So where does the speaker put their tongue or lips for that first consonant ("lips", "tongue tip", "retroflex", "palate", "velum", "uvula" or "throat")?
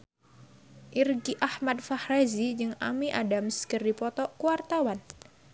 throat